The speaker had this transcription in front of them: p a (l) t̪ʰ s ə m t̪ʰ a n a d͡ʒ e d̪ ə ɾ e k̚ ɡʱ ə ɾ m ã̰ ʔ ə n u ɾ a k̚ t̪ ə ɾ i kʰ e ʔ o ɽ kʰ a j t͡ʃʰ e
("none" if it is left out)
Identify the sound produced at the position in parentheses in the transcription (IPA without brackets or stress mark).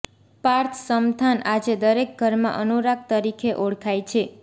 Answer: ɾ